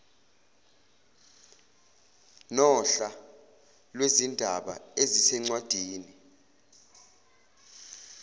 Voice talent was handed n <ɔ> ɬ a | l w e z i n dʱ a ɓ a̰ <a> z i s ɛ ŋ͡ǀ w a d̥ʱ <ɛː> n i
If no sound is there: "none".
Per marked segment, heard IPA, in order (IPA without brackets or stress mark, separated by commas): ɔ, e, iː